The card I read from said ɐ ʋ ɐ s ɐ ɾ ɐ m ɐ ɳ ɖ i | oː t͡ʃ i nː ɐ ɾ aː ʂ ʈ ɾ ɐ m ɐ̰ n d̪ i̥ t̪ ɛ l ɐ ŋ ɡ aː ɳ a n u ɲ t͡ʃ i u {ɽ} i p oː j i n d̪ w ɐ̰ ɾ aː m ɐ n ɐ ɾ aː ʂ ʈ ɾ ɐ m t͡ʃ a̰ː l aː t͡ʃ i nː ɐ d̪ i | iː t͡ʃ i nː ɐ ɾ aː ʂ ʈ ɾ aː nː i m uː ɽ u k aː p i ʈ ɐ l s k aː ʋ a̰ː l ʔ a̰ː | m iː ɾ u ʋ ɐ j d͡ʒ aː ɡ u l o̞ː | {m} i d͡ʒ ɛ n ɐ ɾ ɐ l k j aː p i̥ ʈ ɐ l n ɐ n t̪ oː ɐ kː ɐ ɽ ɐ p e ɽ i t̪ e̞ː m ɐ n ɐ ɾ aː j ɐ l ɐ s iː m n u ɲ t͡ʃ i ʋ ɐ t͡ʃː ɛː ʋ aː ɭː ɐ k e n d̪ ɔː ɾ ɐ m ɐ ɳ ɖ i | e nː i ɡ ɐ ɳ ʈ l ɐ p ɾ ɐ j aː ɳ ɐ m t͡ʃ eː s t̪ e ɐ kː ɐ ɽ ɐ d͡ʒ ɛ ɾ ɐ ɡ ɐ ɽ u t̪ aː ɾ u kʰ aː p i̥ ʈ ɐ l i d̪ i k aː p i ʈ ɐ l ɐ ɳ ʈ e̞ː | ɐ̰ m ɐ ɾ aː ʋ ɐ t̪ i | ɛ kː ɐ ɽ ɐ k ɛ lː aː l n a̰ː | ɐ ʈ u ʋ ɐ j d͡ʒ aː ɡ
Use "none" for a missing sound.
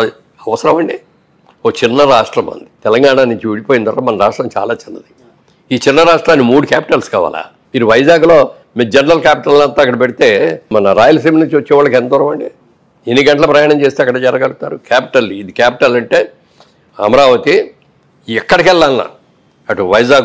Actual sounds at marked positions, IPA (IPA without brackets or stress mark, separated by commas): ɽ, m